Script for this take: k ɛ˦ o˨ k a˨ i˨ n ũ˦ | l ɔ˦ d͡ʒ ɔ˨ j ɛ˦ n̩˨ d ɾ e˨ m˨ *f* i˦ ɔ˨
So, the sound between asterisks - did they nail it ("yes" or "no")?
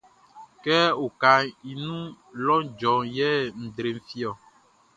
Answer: yes